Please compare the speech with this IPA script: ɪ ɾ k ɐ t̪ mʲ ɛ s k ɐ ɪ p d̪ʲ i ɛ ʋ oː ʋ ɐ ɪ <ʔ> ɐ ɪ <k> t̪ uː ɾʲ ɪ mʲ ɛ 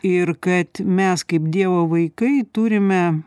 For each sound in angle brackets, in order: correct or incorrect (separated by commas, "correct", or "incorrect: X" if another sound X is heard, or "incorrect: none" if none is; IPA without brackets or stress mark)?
incorrect: k, incorrect: none